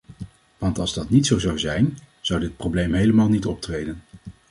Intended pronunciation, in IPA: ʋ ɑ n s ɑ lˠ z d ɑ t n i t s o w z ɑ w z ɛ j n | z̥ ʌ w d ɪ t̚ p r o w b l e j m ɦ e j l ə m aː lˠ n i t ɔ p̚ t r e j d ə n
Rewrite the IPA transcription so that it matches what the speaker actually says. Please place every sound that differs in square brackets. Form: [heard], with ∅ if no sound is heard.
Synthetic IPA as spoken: ʋ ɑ n [t] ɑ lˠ z d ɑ t n i t s o w z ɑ w z ɛ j n | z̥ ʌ w d ɪ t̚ p r o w b l e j m ɦ e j l ə m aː lˠ n i t ɔ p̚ t r e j d ə n